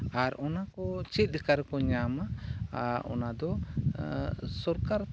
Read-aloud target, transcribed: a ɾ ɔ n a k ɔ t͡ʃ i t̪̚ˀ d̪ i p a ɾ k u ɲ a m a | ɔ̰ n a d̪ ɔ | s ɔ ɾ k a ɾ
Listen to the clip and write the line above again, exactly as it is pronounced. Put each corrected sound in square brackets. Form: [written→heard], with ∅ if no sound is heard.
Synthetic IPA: a ɾ ɔ n a k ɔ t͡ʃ i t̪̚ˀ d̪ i [p→k] a ɾ k [u→ɔ] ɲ a m a | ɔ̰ n a d̪ ɔ | s ɔ ɾ k a ɾ